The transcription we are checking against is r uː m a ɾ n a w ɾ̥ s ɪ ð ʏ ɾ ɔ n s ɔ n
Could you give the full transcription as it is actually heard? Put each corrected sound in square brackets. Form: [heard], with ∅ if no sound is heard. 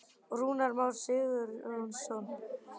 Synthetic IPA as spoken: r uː [n] a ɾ [m] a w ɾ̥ s ɪ ð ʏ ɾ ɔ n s ɔ n

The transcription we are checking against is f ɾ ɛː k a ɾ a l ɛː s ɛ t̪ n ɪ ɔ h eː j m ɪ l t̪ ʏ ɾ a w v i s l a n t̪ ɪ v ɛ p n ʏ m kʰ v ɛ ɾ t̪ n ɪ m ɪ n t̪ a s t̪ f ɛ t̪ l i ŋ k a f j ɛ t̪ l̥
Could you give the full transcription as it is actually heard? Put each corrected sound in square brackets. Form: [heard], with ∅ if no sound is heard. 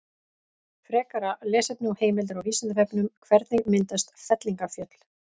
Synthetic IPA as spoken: f ɾ ɛː k a ɾ a l ɛː s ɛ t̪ n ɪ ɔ h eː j m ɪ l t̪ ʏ ɾ a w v i s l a n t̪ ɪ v ɛ p n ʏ m kʰ v ɛ ɾ t̪ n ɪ m ɪ n t̪ a s t̪ f ɛ t̪ l i ŋ k a f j [œ] t̪ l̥

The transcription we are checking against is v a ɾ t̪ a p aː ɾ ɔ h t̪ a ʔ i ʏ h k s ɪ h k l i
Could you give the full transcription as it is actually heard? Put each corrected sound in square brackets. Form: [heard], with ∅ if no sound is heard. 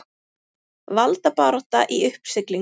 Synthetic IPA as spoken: v a [l] t̪ a p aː ɾ ɔ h t̪ a ʔ i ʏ h [p] s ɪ [∅] k l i

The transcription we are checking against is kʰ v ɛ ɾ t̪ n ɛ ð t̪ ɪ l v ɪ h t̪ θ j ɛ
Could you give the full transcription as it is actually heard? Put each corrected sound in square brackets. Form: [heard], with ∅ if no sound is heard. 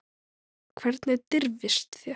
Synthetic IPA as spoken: kʰ v ɛ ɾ t̪ n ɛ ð t̪ ɪ [ɾ] v ɪ [s] t̪ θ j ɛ

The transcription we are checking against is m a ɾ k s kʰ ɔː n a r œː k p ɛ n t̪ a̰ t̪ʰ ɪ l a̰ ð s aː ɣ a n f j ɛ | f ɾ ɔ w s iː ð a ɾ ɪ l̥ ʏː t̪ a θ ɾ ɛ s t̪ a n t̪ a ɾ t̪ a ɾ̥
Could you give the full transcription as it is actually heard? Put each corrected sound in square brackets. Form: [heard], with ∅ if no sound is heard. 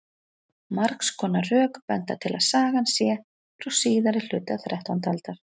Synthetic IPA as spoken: m a ɾ k s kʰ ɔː n a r œː k p ɛ n t̪ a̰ t̪ʰ ɪ l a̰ ð s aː ɣ a n [s] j ɛ | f ɾ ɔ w s iː ð a ɾ ɪ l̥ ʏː t̪ a θ ɾ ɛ [h] t̪ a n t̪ a [l] t̪ a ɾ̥

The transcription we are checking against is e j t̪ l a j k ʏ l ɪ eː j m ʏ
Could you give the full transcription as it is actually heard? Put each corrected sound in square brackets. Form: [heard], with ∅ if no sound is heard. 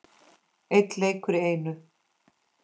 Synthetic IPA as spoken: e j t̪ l [e] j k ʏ [ɾ] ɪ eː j [n] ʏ

